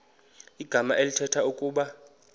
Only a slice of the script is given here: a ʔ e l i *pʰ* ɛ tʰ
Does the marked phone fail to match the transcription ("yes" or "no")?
yes